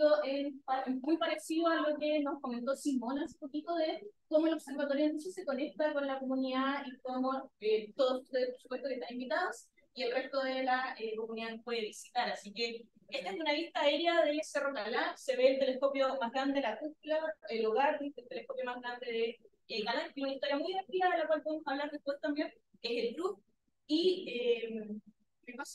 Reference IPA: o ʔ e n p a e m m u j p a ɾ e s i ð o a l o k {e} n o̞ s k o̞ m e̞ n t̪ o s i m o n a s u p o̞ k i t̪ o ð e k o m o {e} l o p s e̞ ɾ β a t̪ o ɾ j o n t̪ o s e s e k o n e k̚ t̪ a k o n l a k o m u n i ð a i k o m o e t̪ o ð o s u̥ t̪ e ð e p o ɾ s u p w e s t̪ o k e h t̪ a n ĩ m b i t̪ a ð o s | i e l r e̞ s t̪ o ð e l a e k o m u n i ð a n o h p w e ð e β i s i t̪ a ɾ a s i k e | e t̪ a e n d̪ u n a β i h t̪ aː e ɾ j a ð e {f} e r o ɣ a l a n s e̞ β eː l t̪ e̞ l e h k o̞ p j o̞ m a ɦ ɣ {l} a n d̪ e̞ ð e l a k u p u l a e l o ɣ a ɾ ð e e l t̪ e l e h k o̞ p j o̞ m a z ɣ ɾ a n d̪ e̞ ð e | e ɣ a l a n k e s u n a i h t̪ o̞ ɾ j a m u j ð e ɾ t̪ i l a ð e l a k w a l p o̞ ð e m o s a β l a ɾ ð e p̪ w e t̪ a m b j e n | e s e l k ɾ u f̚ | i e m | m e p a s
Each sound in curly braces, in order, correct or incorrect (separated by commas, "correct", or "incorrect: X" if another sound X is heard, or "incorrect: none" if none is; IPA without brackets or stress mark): correct, correct, incorrect: s, incorrect: ɾ